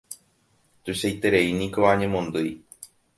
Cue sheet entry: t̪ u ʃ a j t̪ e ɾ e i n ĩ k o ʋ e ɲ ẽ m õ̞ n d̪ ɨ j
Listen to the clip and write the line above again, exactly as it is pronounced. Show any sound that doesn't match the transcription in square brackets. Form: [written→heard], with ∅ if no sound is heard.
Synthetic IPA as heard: t̪ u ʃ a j t̪ e ɾ e i n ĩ k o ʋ [e→a] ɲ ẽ m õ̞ n d̪ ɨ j